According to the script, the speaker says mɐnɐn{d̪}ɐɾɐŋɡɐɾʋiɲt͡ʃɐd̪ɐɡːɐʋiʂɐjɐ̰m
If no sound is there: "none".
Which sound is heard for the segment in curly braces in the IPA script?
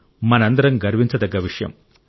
d̪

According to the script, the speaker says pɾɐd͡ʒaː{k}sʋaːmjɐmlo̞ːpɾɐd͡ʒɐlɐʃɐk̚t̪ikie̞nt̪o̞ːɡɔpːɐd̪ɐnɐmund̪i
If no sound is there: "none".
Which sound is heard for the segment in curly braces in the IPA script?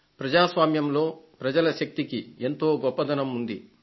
none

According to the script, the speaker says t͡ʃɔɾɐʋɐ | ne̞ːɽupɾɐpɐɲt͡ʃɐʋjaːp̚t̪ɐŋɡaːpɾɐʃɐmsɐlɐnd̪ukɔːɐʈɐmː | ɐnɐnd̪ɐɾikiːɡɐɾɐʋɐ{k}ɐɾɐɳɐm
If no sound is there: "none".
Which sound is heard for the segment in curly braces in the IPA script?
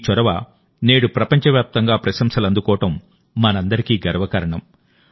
k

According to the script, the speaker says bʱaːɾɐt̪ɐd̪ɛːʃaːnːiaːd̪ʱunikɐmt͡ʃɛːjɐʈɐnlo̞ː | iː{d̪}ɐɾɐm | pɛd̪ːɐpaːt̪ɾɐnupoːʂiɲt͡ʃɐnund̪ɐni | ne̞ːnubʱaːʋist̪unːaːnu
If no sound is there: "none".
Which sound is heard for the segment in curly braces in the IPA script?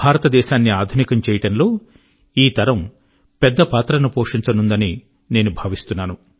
t̪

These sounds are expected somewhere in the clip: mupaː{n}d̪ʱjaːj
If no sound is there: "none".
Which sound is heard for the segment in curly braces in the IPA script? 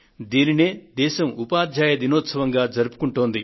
none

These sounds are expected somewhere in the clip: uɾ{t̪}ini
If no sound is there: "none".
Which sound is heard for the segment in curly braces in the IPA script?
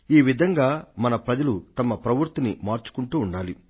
t̪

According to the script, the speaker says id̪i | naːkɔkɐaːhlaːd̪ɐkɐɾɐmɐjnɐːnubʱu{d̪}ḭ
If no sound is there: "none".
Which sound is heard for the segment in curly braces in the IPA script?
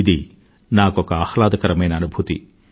t̪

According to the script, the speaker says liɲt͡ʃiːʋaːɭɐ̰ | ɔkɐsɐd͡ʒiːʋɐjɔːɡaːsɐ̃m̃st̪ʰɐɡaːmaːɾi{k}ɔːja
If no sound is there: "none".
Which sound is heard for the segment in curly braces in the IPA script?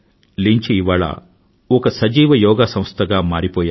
p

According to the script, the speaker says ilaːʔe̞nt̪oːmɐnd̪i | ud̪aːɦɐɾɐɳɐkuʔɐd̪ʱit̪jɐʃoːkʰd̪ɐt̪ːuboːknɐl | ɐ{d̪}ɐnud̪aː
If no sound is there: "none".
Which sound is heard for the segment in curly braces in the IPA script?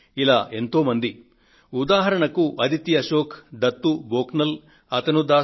t̪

